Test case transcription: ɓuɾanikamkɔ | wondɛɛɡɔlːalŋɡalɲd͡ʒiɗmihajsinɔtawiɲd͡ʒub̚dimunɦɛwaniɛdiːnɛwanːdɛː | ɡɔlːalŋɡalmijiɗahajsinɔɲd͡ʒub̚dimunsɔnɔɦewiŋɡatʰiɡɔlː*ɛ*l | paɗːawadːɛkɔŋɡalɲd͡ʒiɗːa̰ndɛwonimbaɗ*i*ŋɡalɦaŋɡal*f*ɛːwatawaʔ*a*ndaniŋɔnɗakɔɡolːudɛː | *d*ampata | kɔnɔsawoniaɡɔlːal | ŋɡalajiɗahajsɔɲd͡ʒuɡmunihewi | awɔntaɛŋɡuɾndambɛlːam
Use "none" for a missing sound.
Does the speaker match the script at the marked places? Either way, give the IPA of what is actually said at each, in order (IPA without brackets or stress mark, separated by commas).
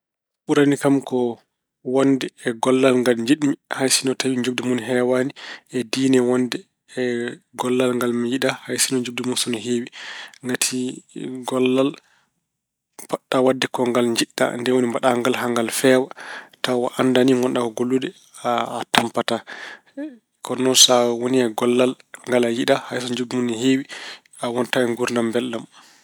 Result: a, a, f, a, t